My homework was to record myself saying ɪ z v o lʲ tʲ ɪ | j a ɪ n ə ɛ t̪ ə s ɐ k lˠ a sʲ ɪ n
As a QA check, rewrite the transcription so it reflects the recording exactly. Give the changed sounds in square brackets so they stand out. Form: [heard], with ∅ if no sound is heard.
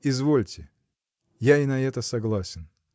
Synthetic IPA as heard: ɪ z v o lʲ tʲ ɪ | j a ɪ n [ɐ] ɛ t̪ ə s ɐ [ɡ] lˠ a sʲ ɪ n